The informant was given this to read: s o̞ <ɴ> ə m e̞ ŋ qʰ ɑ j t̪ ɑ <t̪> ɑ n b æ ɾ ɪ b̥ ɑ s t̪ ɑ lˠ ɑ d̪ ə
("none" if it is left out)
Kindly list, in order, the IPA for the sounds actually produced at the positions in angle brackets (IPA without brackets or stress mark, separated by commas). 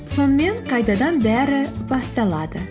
n, d̪